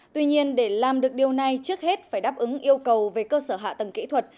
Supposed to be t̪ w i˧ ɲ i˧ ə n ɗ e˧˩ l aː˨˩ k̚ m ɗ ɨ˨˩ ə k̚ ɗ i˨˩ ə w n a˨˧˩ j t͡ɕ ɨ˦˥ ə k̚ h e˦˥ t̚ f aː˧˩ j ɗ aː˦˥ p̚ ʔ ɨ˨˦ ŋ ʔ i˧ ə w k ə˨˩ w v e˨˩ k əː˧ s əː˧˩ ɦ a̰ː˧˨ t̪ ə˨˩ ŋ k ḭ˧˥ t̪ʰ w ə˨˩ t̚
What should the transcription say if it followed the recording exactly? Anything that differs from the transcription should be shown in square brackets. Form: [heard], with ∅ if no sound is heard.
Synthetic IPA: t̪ w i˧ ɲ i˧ ə n ɗ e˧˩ l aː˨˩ [∅] m ɗ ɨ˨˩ ə k̚ ɗ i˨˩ ə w n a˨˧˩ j t͡ɕ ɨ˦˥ ə k̚ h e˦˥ t̚ f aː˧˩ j ɗ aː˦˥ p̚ ʔ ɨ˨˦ ŋ ʔ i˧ ə w k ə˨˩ w v e˨˩ k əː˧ s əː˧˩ ɦ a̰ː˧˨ t̪ ə˨˩ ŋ k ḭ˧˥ t̪ʰ w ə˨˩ t̚

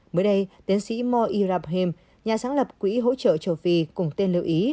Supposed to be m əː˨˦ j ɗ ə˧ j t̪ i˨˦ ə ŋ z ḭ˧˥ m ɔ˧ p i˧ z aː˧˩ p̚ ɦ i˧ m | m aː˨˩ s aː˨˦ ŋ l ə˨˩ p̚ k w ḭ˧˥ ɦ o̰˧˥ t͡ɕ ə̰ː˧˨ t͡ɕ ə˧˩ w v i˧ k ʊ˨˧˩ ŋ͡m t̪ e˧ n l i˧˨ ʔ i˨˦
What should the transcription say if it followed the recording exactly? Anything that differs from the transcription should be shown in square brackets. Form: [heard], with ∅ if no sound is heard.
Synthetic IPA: m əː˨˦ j ɗ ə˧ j t̪ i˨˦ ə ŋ [s] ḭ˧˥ m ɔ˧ [ʔ] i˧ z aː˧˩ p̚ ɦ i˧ m | [ɲ] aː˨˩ s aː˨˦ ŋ l ə˨˩ p̚ k w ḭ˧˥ ɦ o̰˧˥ t͡ɕ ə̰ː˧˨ t͡ɕ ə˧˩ w [f] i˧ k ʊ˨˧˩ ŋ͡m t̪ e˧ n l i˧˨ ʔ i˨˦

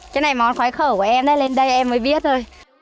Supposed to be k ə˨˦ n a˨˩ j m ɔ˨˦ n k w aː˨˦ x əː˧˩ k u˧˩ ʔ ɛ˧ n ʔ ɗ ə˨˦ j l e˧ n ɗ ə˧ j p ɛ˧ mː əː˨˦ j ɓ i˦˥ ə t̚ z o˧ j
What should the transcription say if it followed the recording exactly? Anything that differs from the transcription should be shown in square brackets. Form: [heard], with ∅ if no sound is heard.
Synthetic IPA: k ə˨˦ n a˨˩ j m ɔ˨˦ n [x] w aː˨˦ x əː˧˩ k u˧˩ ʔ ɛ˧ [m] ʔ ɗ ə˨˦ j l e˧ n ɗ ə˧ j [ʔ] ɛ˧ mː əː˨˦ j ɓ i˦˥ ə t̚ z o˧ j

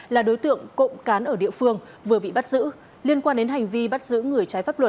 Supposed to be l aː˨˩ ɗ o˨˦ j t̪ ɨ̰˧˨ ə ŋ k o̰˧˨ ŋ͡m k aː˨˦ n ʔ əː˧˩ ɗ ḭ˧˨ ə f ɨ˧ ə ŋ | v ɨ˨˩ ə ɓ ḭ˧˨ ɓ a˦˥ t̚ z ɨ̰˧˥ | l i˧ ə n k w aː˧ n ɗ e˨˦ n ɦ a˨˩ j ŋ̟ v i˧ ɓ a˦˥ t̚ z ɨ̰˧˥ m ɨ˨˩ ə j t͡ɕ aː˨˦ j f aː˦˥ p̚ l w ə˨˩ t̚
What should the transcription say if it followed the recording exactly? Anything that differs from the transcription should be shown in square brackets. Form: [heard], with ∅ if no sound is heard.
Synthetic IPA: l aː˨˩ ɗ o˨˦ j t̪ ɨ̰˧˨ ə ŋ k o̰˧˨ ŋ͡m k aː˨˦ n ʔ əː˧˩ ɗ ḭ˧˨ ə f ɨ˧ ə ŋ | v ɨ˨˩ ə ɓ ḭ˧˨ ɓ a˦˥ t̚ z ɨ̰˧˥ | l i˧ ə n k w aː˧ n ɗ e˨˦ n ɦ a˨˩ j ŋ̟ v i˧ ɓ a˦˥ t̚ z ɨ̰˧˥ [ŋ] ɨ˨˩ ə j t͡ɕ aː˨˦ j f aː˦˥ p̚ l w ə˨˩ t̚

